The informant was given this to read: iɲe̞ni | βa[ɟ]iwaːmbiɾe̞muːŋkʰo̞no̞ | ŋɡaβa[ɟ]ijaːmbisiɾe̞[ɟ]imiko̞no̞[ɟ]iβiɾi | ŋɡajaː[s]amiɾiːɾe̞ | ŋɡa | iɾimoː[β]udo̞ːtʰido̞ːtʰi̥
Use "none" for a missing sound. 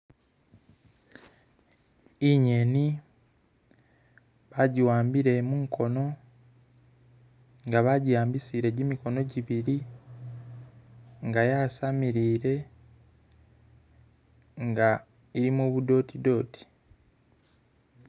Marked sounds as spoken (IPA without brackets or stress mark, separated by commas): ɟ, ɟ, ɟ, ɟ, s, β